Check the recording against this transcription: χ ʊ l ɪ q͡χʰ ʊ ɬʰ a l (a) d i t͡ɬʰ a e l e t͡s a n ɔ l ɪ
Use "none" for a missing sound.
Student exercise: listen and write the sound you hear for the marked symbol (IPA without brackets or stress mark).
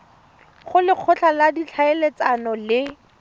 a